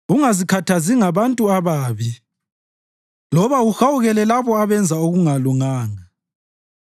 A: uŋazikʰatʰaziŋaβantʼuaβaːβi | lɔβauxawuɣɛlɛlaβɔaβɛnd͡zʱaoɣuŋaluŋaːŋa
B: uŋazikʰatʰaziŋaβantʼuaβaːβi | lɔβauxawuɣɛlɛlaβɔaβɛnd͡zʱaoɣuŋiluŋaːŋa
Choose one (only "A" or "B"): A